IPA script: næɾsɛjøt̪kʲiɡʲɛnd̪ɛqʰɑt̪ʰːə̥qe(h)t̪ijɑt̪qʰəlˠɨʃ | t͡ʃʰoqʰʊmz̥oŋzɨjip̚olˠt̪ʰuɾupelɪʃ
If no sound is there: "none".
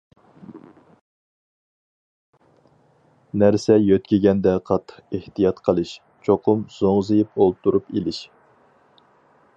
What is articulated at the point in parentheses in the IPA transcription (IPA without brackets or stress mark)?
h